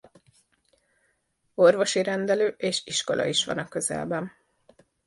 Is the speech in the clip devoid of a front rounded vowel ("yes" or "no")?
no